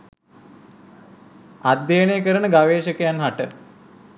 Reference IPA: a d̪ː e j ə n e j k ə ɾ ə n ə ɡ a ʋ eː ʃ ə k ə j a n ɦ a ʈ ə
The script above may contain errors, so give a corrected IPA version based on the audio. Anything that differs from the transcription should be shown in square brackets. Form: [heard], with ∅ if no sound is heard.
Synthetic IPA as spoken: a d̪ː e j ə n e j k ə ɾ ə n ə ɡ a ʋ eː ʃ ə k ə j a n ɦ a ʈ ə